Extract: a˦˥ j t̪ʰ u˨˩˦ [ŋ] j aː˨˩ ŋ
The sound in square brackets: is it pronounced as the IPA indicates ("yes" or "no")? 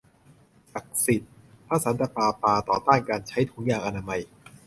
yes